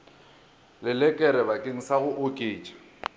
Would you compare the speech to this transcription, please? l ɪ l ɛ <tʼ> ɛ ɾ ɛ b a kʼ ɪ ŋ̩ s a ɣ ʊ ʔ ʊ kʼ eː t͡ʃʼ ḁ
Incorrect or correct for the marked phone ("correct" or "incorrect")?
incorrect